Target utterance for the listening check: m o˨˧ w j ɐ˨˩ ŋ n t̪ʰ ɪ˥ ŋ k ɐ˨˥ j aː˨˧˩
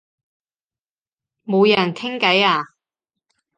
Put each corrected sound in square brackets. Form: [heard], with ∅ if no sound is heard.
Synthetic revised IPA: m o˨˧ w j ɐ˨˩ [∅] n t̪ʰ ɪ˥ ŋ k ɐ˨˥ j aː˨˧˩